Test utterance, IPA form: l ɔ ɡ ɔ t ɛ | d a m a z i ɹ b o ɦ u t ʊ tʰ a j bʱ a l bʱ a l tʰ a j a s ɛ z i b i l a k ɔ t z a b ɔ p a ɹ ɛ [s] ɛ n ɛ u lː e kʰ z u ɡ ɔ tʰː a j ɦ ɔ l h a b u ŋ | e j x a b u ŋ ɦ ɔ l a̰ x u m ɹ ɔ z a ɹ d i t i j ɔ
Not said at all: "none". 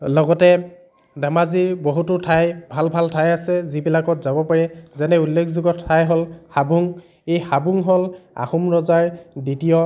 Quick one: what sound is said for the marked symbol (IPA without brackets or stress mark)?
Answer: z